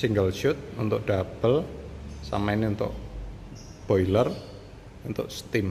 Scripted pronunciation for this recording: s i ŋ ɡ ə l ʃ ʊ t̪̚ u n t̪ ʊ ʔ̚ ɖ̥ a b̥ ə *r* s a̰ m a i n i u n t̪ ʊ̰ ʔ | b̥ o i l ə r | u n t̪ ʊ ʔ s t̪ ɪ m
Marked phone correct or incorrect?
incorrect: l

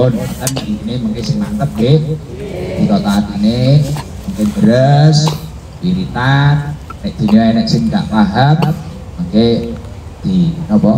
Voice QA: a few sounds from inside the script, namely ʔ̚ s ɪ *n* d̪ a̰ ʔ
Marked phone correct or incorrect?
incorrect: ŋ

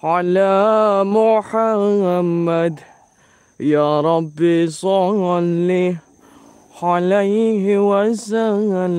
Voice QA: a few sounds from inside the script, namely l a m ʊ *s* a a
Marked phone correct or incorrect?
incorrect: ħ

